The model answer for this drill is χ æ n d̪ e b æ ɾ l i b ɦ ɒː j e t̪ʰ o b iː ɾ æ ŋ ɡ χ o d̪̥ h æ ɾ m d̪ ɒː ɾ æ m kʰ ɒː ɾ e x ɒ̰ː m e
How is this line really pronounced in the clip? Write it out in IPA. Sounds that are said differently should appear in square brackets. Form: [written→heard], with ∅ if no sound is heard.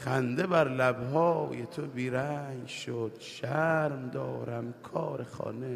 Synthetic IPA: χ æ n d̪ e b æ ɾ l [i→æ] b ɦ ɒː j e t̪ʰ o b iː ɾ æ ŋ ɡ [χ→ʃ] o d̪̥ [h→ʃ] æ ɾ m d̪ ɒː ɾ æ m kʰ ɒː ɾ e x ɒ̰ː [m→n] e

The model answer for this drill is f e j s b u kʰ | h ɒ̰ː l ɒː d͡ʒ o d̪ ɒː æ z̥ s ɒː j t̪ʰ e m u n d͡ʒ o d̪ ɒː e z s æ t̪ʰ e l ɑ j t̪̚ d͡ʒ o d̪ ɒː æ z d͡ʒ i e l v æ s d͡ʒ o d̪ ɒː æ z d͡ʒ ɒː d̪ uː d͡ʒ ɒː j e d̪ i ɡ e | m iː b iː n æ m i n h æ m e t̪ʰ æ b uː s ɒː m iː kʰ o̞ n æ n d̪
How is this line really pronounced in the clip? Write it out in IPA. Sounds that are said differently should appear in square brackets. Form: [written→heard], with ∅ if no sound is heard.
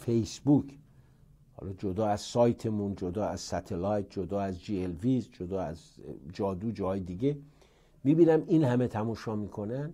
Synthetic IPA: f e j s b u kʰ | h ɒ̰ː l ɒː d͡ʒ o d̪ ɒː æ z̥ s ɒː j t̪ʰ e m u n d͡ʒ o d̪ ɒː [e→æ] z s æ t̪ʰ e l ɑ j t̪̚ d͡ʒ o d̪ ɒː æ z d͡ʒ i e l v [æ→i] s d͡ʒ o d̪ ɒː æ z d͡ʒ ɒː d̪ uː d͡ʒ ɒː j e d̪ i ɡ e | m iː b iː n æ m i n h æ m e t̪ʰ æ [b→m] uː [s→ʃ] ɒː m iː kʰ o̞ n æ n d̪

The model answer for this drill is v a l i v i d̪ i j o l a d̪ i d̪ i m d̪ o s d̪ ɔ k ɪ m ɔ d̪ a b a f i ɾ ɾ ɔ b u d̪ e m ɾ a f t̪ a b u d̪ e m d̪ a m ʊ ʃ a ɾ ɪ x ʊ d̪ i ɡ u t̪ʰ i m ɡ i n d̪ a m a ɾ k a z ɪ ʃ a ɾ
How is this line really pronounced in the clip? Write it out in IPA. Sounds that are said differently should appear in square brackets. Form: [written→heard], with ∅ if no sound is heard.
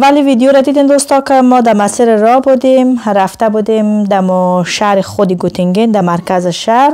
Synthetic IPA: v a l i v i d̪ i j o [l→ɾ] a d̪ i d̪ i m d̪ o s [d̪→t̪] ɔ k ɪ m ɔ d̪ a [b→m] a [f→s] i ɾ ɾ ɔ b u d̪ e m ɾ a f t̪ a b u d̪ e m d̪ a m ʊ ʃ a ɾ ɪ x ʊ d̪ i ɡ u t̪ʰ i [m→ŋ] ɡ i n d̪ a m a ɾ k a z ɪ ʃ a ɾ

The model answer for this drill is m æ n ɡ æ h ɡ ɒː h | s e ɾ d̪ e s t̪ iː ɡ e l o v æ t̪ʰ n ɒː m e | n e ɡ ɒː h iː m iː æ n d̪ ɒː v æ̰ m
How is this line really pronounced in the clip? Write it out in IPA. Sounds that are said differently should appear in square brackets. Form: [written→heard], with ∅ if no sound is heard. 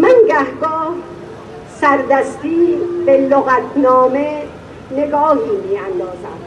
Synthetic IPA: m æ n ɡ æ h ɡ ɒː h | s [e→æ] ɾ d̪ [e→æ] s t̪ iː [ɡ→b] e l o [v→ɣ] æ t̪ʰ n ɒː m e | n e ɡ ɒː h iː m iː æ n d̪ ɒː [v→z] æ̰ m

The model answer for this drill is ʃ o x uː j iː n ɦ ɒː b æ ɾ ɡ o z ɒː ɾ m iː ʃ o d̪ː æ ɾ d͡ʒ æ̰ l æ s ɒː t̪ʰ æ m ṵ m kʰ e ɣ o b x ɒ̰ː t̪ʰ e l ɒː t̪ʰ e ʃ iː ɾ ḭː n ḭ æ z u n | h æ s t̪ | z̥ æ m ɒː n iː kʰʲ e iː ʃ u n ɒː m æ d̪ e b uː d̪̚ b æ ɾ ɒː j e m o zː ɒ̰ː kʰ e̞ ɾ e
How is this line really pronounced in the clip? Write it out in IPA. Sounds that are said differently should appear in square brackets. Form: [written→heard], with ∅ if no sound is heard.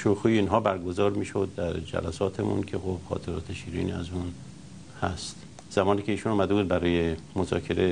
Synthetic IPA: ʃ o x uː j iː n ɦ ɒː b æ ɾ ɡ o z ɒː ɾ m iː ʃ o d̪ː æ ɾ d͡ʒ æ̰ l æ s ɒː t̪ʰ [æ→e] m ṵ [m→n] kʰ e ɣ o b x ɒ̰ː t̪ʰ e [l→ɾ] ɒː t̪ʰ e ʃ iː ɾ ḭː n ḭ æ z u n | h æ s t̪ | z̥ æ m ɒː n iː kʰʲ e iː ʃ u n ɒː m æ d̪ e b uː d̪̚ b æ ɾ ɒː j e m o [zː→z] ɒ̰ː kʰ e̞ ɾ e

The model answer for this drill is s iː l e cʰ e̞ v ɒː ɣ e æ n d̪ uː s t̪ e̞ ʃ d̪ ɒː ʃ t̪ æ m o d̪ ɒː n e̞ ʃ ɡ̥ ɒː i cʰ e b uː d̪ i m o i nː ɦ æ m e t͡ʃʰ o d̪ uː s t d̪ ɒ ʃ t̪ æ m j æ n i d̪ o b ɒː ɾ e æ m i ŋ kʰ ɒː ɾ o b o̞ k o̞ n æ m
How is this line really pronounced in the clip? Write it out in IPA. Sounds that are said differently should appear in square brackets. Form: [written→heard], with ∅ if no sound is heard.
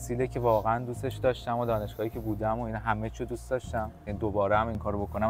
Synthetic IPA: s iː l e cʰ e̞ v ɒː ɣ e æ n d̪ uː s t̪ e̞ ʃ d̪ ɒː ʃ t̪ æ m o d̪ ɒː n e̞ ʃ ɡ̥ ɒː i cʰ e b uː d̪ [i→æ] m o i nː ɦ æ m e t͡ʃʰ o d̪ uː s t d̪ ɒ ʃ t̪ æ m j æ n i d̪ o b ɒː ɾ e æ m i ŋ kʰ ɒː ɾ o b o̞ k o̞ n æ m

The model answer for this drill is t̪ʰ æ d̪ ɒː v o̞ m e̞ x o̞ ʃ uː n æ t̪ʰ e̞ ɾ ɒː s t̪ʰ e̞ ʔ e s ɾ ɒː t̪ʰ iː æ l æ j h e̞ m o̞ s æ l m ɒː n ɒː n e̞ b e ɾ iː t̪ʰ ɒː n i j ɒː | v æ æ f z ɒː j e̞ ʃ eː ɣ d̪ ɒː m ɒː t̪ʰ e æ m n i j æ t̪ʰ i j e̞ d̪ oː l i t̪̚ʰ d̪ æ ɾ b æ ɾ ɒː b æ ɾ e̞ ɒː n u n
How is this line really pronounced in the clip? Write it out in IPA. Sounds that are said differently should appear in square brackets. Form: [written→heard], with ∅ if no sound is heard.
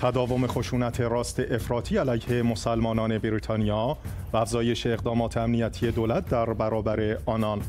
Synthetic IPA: t̪ʰ æ d̪ ɒː v o̞ m e̞ x o̞ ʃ uː n æ t̪ʰ e̞ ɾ ɒː s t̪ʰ e̞ ʔ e [s→f] ɾ ɒː t̪ʰ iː æ l æ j h e̞ m o̞ s æ l m ɒː n ɒː n e̞ b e ɾ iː t̪ʰ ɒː n i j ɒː | v æ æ f z ɒː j e̞ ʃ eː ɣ d̪ ɒː m ɒː t̪ʰ e æ m n i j æ t̪ʰ i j e̞ d̪ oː l [i→æ] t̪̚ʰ d̪ æ ɾ b æ ɾ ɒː b æ ɾ e̞ ɒː n [u→ɒ] n

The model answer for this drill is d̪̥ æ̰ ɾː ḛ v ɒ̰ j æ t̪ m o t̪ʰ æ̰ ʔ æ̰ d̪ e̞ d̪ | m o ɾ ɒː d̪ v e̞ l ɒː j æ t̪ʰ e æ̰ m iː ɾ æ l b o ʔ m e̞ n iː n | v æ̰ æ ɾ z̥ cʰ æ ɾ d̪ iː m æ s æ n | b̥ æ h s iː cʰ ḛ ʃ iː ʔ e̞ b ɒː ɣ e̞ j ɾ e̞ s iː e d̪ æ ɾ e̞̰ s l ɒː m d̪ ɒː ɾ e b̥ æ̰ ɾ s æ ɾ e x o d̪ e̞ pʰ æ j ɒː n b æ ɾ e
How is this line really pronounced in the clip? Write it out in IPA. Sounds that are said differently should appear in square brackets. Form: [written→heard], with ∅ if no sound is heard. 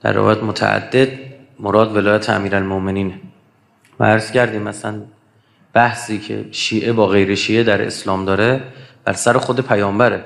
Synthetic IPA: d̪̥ æ̰ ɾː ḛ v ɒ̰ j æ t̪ m o t̪ʰ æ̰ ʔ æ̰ [d̪→d̪ː] e̞ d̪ | m o ɾ ɒː d̪ v e̞ l ɒː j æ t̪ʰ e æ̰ m iː ɾ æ l [b→m] o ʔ m e̞ n iː n | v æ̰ æ ɾ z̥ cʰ æ ɾ d̪ iː m æ s æ n | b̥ æ h s iː cʰ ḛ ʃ iː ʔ e̞ b ɒː ɣ e̞ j ɾ e̞ [s→ʃ] iː e d̪ æ ɾ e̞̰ s l ɒː m d̪ ɒː ɾ e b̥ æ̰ ɾ s æ ɾ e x o d̪ e̞ pʰ æ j ɒː [n→m] b æ ɾ e

